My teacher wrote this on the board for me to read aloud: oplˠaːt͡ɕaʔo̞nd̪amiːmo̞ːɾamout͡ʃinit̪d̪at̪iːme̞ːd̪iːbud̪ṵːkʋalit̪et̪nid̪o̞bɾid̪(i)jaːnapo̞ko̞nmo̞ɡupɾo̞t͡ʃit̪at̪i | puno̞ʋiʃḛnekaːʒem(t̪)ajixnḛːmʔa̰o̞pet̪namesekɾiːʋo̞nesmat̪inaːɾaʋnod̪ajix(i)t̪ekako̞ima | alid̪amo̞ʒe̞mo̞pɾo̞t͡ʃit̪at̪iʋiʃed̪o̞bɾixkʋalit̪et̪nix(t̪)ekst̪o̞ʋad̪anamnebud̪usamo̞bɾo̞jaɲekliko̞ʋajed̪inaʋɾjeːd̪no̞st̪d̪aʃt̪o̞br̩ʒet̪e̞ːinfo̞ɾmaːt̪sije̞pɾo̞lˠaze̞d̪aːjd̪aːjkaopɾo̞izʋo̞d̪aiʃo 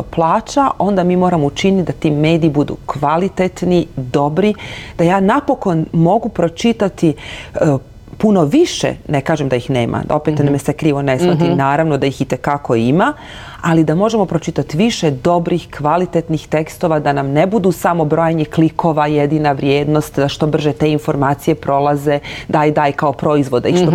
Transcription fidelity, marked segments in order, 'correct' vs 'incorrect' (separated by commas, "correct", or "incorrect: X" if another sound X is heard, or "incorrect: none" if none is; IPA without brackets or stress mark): incorrect: a, incorrect: d̪, correct, correct